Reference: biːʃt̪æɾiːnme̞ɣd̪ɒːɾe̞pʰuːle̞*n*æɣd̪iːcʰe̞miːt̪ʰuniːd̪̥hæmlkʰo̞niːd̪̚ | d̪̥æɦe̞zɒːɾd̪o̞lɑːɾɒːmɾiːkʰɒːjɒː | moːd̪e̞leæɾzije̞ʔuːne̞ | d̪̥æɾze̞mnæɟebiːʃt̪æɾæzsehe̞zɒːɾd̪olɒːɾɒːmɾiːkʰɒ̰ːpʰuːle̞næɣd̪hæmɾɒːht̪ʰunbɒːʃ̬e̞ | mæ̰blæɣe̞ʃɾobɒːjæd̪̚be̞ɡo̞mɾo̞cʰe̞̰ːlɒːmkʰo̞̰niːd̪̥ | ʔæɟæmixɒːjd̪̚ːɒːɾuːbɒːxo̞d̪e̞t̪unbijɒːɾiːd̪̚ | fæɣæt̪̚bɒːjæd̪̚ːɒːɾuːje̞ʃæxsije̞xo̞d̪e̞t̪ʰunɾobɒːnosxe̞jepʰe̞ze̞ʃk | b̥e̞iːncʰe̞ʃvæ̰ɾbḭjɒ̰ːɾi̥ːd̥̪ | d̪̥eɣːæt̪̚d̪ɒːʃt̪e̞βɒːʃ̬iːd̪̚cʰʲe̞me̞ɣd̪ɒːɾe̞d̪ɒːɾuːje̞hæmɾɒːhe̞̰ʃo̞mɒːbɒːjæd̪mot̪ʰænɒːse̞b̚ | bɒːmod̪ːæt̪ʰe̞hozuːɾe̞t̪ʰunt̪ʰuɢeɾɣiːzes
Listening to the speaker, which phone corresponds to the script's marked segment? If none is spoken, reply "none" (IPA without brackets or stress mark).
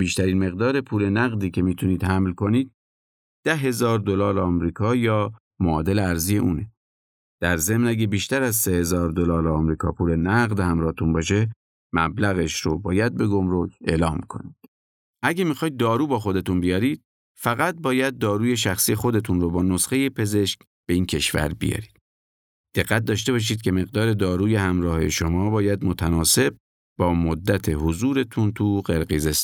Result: n